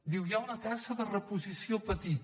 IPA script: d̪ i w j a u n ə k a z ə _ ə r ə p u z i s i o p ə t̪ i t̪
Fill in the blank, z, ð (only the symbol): ð